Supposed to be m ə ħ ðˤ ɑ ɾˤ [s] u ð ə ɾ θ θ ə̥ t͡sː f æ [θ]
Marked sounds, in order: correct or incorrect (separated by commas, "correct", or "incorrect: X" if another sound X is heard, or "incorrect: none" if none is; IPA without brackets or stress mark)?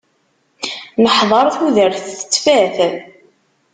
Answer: incorrect: θ, correct